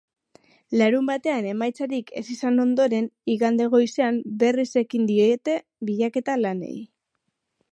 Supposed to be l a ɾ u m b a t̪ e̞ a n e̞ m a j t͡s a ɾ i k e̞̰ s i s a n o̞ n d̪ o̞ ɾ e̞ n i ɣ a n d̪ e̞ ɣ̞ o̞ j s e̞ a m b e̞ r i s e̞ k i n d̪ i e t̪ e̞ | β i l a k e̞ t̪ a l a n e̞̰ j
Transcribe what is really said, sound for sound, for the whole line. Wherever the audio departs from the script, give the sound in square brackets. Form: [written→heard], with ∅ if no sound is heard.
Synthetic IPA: l a ɾ u m b a t̪ e̞ a n e̞ m a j t͡s a ɾ i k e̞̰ s i s a n o̞ n d̪ o̞ ɾ e̞ n i ɣ a n d̪ e̞ ɣ̞ o̞ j s e̞ a m b e̞ r i s e̞ k i n d̪ i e t̪ e̞ | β i [l→ʎ] a k e̞ t̪ a l a n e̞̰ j